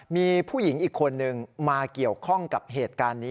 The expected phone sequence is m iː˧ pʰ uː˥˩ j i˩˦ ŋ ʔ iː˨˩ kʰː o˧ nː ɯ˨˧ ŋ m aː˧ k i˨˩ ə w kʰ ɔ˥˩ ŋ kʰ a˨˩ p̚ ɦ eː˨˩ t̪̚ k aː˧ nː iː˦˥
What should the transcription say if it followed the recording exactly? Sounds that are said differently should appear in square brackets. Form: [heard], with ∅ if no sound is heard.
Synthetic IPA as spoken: m iː˧ pʰ uː˥˩ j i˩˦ ŋ ʔ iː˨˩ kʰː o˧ nː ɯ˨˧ ŋ m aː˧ k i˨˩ ə w kʰ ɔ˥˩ ŋ [k] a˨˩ p̚ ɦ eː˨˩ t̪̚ k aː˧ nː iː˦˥